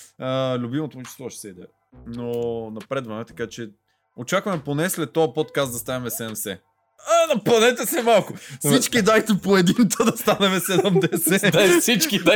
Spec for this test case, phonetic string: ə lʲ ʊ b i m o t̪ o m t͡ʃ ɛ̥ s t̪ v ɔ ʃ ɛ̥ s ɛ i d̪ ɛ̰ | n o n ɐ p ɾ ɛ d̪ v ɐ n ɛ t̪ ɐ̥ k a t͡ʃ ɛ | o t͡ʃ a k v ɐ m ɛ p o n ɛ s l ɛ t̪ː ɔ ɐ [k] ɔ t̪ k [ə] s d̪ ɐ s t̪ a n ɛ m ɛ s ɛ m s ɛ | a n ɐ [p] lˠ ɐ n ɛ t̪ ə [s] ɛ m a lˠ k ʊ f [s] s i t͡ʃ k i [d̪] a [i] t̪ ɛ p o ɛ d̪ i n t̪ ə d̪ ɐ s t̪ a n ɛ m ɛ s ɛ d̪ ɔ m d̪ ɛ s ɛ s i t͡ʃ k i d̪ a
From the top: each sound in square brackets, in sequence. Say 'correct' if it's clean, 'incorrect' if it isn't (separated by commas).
incorrect, incorrect, correct, correct, correct, correct, incorrect